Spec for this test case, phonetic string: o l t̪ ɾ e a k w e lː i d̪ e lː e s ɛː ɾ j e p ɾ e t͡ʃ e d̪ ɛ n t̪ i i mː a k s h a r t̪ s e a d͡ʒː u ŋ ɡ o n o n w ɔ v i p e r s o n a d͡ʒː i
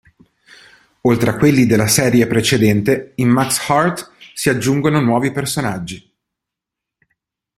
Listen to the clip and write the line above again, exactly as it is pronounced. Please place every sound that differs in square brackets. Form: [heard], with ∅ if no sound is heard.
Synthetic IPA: o l t̪ ɾ e a k w e lː i d̪ e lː [a] s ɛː ɾ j e p ɾ e t͡ʃ e d̪ ɛ n t̪ [e] i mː a k s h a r t̪ s [i] a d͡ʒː u ŋ ɡ o n o n w [ɔː] v i p e r s o n a d͡ʒː i